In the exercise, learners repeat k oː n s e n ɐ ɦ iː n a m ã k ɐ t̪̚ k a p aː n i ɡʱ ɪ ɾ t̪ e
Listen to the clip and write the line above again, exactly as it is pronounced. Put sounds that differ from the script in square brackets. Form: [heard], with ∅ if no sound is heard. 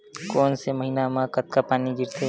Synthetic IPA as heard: k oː n s e [m] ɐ ɦ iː n a m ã k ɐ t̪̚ k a p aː n i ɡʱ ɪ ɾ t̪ e